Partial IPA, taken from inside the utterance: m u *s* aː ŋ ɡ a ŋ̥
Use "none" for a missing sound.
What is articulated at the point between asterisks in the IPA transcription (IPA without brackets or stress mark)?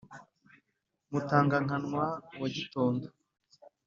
t